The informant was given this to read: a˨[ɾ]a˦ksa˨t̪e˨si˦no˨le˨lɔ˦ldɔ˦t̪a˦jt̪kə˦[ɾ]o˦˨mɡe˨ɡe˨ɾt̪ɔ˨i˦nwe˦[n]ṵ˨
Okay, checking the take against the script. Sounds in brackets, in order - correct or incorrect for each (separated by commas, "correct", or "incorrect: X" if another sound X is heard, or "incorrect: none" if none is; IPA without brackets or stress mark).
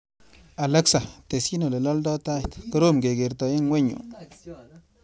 incorrect: l, correct, incorrect: ɲ